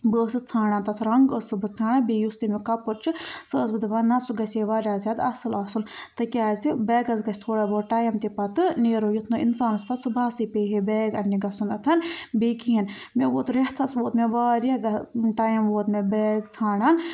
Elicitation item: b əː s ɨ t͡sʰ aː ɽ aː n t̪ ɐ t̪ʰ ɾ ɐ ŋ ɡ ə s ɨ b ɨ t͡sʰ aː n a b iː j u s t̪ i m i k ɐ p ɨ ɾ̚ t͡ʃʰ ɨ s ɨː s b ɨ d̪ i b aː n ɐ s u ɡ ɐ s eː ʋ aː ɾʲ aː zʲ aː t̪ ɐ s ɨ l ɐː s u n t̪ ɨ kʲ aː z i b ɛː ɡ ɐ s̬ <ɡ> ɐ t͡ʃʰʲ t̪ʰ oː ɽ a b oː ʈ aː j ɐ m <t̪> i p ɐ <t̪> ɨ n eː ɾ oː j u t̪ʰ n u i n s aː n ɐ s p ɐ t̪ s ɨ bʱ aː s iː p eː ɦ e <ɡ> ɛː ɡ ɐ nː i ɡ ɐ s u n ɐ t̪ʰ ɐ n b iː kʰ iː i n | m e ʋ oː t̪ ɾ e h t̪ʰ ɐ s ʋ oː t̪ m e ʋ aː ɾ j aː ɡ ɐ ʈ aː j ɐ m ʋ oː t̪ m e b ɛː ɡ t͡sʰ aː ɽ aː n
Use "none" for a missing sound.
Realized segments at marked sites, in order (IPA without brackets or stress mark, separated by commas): ɡ, t̪, t̪, b